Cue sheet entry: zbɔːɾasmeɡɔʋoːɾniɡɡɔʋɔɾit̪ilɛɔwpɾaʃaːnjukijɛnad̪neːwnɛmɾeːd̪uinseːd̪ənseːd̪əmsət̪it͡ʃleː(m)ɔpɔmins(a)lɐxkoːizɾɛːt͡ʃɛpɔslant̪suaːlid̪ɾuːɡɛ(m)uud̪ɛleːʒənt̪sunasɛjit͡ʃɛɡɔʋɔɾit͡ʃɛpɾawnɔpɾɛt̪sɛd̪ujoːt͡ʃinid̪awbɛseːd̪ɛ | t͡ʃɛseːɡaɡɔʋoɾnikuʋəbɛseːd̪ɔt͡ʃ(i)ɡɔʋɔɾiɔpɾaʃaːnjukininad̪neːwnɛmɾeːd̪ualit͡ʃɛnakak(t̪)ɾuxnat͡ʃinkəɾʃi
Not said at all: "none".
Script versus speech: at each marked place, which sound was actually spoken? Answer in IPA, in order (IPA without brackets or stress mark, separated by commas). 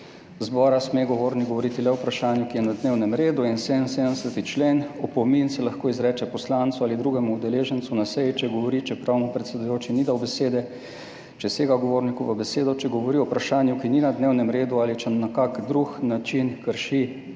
n, ɛ, m, ɛ, d̪